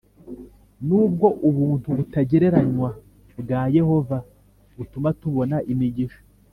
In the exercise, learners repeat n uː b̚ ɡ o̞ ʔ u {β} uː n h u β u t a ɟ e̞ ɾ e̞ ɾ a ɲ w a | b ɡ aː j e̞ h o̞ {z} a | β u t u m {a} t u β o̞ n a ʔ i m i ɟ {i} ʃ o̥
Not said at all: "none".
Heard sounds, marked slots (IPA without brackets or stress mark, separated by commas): β, v, a, i